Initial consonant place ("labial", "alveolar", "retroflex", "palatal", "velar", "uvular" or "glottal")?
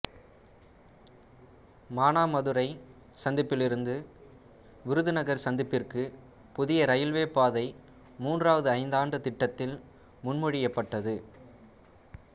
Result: labial